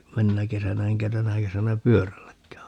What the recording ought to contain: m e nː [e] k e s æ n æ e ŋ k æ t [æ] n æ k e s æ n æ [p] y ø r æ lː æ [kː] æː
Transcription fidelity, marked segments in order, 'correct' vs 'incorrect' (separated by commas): incorrect, correct, correct, correct